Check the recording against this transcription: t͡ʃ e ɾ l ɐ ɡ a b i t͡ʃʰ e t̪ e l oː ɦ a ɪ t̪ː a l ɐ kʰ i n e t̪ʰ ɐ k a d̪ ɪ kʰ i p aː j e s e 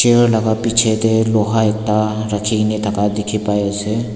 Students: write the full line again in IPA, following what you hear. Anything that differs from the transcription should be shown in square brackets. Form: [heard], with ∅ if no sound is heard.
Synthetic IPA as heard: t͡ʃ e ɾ l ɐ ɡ a [p] i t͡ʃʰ e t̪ e l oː ɦ a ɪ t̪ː a [ɾ] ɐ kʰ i n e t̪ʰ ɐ k a d̪ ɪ kʰ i p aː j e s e